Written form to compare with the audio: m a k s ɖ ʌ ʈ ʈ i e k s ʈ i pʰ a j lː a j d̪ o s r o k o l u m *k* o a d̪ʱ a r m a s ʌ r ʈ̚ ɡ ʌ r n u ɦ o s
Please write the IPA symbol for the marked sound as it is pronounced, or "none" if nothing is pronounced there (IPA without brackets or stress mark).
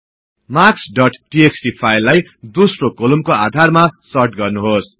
k